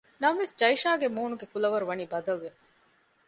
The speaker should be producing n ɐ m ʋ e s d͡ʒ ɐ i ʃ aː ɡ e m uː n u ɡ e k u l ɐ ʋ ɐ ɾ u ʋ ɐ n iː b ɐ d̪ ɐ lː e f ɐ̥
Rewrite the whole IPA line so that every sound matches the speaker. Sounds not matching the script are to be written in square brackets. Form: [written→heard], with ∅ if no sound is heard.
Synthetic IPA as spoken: n ɐ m ʋ e s d͡ʒ ɐ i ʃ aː ɡ e m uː n u ɡ e k u l ɐ ʋ ɐ ɾ u ʋ ɐ n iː b ɐ d̪ ɐ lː e f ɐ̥